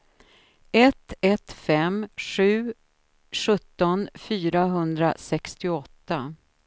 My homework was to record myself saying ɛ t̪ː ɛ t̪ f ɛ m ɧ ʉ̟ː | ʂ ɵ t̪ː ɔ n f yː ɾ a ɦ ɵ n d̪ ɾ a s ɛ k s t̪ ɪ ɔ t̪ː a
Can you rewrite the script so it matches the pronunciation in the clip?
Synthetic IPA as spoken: ɛ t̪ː ɛ t̪ f ɛ m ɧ ʉ̟ː | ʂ ɵ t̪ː ɔ n f yː ɾ a ɦ ɵ n d̪ ɾ a s ɛ k s t̪ ɪ ɔ t̪ː a